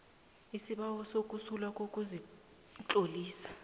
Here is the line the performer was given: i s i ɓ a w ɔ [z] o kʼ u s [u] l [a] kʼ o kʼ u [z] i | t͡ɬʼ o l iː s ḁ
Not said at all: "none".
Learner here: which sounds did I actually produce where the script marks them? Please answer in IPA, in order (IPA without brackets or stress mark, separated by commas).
s, u, a, z